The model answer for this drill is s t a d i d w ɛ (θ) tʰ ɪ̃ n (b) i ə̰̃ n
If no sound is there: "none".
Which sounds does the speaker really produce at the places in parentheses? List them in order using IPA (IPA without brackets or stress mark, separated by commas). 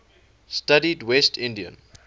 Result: s, d